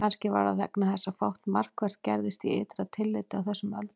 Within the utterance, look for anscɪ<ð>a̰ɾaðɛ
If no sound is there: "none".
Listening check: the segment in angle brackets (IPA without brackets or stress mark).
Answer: v